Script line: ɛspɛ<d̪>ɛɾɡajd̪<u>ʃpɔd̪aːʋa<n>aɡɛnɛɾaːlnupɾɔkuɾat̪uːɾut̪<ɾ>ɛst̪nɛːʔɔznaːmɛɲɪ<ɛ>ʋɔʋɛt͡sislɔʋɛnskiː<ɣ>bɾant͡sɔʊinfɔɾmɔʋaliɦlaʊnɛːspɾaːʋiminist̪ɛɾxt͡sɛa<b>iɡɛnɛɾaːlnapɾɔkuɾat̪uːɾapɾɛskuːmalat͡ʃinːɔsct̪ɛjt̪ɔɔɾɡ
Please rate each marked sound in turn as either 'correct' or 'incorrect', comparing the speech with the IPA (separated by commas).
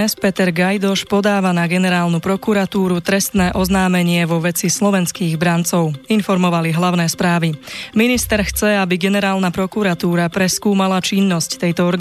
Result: incorrect, incorrect, correct, correct, correct, correct, correct